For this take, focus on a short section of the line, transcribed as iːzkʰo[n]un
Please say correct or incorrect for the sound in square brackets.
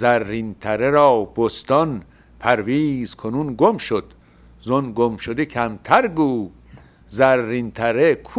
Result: correct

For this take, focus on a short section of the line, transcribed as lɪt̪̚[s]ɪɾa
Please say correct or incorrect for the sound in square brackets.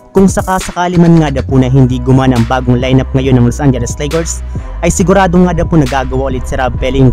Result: correct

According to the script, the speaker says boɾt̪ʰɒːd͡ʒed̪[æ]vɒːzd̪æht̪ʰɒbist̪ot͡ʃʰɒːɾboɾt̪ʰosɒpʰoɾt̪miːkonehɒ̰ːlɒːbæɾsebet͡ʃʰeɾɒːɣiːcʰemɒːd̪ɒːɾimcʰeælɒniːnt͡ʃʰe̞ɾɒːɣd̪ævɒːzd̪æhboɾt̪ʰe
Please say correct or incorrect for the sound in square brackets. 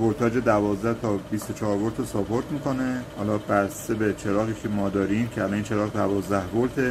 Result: correct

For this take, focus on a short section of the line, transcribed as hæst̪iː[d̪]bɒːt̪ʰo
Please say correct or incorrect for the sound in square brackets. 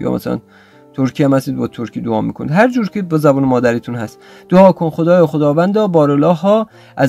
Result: correct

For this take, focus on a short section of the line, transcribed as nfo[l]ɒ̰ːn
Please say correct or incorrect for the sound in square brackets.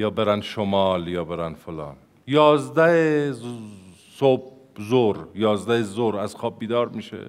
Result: correct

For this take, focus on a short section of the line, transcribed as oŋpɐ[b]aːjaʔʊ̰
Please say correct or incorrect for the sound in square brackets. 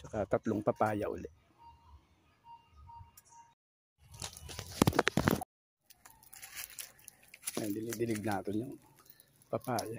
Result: incorrect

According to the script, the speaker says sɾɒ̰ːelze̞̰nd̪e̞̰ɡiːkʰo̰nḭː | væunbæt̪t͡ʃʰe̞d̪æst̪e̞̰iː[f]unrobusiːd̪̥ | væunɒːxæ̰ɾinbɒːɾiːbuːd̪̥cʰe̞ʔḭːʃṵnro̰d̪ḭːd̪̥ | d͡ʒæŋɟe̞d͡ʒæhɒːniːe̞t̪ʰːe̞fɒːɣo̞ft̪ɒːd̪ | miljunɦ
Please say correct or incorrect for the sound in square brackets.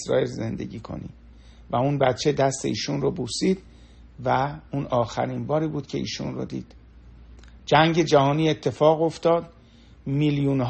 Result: incorrect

